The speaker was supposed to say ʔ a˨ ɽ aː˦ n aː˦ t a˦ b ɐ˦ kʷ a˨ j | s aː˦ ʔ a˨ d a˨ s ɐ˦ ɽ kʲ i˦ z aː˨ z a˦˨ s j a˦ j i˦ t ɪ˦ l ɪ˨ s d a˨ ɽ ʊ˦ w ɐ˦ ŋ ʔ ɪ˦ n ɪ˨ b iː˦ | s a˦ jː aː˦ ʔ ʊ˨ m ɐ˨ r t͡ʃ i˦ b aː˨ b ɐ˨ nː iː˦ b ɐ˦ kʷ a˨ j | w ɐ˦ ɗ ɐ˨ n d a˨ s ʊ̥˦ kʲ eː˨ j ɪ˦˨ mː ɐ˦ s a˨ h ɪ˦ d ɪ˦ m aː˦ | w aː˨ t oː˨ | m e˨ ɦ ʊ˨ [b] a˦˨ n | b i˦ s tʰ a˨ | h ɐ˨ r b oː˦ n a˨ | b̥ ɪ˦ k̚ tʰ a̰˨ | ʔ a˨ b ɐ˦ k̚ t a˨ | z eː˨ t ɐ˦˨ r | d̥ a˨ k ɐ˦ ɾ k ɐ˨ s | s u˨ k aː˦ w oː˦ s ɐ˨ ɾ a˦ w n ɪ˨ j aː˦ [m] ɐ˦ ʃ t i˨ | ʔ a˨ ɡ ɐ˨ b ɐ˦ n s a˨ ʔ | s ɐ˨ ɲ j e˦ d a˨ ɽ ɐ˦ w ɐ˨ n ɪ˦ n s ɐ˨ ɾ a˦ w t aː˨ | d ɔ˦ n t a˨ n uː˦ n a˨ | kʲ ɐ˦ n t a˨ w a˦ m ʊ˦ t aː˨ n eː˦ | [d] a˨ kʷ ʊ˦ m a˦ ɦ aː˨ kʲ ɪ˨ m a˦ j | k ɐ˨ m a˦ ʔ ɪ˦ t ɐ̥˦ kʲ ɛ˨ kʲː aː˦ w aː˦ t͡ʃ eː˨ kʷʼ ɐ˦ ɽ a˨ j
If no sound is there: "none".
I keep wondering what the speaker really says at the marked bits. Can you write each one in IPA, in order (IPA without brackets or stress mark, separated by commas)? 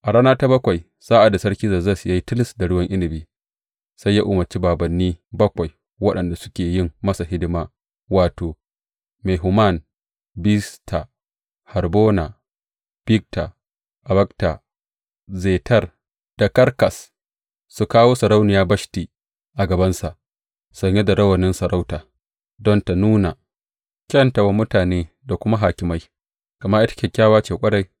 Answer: m, b, d